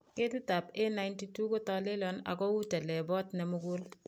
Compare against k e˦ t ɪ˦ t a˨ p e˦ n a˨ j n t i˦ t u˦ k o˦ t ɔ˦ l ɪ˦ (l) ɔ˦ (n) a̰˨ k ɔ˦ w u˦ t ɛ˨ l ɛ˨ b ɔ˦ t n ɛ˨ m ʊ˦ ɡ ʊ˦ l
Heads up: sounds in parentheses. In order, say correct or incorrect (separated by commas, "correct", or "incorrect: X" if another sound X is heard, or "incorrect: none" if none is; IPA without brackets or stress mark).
correct, correct